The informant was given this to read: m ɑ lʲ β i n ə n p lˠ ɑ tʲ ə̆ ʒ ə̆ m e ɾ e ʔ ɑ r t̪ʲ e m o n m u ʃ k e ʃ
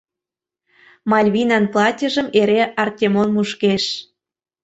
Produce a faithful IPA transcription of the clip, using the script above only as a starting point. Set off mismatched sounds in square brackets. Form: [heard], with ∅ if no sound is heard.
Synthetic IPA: m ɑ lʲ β i n [ɑ] n p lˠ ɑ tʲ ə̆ ʒ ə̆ m e ɾ e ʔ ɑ r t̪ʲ e m o n m u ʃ k e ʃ